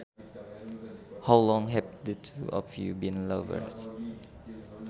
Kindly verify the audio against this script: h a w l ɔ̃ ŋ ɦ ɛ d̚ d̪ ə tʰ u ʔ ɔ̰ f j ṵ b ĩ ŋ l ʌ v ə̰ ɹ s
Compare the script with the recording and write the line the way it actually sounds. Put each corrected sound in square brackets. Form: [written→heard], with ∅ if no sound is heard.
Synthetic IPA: h a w l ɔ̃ ŋ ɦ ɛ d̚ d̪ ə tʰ u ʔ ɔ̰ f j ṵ b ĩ [ŋ→n] l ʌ v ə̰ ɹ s